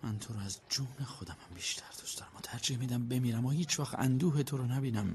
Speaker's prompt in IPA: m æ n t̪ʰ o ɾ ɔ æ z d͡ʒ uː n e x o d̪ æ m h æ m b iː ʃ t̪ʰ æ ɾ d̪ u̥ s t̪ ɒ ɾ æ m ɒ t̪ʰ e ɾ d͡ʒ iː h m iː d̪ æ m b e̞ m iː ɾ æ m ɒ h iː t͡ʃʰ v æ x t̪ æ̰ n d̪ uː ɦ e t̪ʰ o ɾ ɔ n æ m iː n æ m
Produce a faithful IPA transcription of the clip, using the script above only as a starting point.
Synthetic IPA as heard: m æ n t̪ʰ o ɾ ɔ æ z d͡ʒ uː n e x o d̪ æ m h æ m b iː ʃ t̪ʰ æ ɾ d̪ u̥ s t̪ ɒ ɾ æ m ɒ t̪ʰ æ ɾ d͡ʒ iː h m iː d̪ æ m b e̞ m iː ɾ æ m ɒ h iː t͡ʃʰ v æ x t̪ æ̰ n d̪ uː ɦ e t̪ʰ o ɾ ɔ n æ b iː n æ m